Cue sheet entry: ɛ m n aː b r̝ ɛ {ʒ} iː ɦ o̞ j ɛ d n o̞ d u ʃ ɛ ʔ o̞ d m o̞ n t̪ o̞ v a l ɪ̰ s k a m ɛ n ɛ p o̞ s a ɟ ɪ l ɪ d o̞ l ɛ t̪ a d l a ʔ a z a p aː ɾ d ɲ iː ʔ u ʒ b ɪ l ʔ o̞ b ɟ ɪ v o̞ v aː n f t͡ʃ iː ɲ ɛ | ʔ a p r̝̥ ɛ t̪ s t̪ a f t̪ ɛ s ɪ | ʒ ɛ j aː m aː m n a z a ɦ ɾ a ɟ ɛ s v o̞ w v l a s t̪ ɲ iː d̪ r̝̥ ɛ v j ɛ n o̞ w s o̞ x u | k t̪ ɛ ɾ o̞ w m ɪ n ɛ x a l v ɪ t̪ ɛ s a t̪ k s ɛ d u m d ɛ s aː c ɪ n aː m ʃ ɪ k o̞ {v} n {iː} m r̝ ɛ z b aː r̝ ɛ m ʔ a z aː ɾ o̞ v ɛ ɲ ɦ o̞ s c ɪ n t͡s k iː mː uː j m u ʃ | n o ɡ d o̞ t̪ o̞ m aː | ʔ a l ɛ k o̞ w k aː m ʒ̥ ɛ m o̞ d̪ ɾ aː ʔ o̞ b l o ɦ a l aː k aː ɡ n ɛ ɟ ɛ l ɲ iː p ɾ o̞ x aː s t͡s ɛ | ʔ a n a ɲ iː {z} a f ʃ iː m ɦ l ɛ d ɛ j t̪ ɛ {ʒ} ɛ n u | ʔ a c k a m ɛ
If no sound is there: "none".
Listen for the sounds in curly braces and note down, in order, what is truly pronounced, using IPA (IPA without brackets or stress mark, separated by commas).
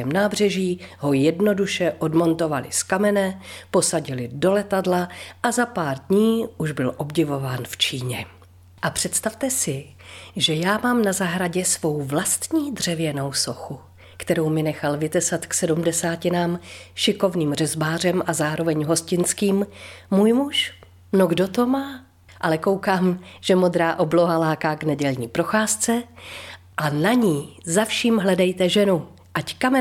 ʒ, v, iː, z, ʒ